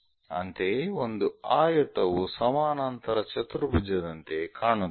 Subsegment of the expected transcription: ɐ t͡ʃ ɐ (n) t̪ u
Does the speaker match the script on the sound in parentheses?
no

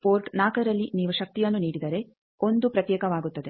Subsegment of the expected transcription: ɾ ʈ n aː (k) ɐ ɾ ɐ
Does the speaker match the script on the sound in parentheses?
yes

